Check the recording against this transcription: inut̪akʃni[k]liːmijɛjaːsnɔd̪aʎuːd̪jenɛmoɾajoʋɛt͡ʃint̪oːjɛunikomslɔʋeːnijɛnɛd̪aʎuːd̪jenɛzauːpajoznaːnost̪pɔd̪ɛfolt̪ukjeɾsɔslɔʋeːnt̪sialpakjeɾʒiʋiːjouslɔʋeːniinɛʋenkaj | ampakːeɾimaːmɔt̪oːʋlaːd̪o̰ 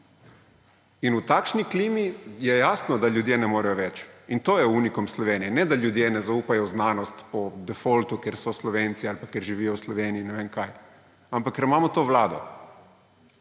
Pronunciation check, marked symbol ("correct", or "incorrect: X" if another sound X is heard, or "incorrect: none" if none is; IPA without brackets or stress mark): correct